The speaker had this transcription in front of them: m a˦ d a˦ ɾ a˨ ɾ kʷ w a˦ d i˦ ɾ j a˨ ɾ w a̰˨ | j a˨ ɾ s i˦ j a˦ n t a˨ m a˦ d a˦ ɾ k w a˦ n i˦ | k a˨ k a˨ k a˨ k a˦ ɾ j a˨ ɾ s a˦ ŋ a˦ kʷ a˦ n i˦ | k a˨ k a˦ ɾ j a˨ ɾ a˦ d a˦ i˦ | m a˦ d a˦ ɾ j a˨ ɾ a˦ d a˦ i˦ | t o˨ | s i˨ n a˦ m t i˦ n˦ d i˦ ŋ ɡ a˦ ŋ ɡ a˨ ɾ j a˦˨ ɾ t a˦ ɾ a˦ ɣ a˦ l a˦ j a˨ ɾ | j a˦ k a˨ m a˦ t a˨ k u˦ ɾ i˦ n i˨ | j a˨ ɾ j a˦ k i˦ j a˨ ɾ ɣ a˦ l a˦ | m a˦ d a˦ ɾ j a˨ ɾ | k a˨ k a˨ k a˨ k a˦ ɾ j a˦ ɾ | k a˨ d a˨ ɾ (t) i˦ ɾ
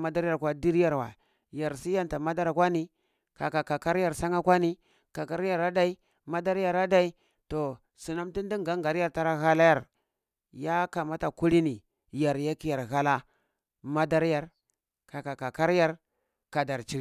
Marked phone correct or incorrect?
incorrect: t͡ʃ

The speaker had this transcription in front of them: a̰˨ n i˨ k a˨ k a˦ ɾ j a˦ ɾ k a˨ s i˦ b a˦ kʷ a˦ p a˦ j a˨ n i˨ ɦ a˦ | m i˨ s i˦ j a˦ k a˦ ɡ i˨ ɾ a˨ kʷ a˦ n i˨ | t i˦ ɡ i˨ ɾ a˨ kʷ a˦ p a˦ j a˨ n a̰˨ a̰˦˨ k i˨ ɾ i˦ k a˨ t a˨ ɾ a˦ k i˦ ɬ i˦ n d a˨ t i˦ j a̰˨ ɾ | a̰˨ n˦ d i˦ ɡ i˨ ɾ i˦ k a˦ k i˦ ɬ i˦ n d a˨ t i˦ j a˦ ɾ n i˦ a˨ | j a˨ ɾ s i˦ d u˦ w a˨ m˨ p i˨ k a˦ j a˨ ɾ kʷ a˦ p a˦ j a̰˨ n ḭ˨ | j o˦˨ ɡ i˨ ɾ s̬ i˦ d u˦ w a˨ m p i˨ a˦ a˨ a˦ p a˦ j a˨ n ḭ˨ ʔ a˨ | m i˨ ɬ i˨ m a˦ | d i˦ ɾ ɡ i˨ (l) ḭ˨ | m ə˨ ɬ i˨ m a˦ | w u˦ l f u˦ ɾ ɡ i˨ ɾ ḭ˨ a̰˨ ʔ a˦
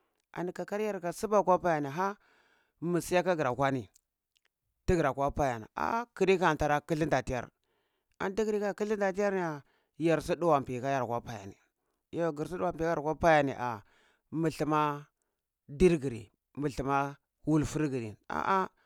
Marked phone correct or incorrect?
incorrect: ɾ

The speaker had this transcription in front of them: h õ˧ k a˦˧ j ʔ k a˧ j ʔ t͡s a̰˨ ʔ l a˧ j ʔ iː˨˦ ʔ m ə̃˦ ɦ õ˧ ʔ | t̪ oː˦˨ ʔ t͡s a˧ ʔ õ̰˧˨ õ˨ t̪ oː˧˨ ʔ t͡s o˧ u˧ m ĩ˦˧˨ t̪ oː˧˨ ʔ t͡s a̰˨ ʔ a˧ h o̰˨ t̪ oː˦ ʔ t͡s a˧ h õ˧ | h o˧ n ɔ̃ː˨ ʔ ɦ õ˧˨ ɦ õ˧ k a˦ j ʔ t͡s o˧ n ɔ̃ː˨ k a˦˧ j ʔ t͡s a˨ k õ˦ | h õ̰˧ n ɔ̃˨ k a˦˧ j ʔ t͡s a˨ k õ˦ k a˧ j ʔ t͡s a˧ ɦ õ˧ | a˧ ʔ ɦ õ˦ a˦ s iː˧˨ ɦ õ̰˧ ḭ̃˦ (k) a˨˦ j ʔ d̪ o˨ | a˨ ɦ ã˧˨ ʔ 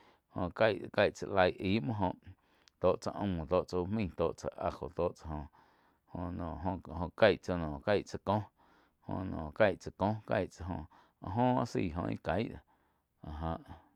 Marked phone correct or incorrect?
correct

